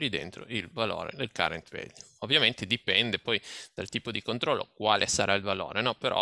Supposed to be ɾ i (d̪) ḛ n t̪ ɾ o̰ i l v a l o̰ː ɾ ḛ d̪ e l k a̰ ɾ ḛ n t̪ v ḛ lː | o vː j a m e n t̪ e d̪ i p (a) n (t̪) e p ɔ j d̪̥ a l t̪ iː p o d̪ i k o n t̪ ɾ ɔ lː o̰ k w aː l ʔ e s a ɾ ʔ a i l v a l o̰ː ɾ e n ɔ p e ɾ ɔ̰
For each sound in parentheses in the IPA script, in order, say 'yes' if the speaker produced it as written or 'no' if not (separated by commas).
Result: yes, no, no